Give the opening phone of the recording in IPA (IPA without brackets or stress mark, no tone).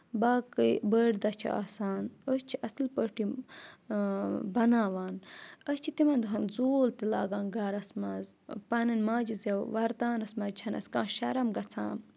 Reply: b